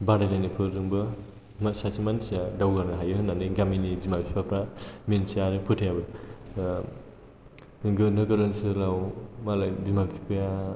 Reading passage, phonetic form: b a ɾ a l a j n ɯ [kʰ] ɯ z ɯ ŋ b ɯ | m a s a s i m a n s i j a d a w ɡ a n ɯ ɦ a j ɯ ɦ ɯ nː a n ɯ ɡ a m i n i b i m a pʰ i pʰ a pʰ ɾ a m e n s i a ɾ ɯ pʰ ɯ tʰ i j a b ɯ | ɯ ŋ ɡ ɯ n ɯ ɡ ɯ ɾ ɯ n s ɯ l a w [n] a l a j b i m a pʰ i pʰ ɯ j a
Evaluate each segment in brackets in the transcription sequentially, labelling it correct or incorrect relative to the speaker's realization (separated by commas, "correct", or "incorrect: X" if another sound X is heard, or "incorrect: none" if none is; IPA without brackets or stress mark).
incorrect: pʰ, incorrect: m